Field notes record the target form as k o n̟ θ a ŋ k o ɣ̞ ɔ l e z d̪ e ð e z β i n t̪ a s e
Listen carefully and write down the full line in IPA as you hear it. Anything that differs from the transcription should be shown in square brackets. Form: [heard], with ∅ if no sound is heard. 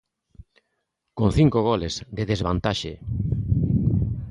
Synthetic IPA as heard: k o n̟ θ [i] ŋ k o ɣ̞ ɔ l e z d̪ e ð e z β [a] n t̪ a [ʃ] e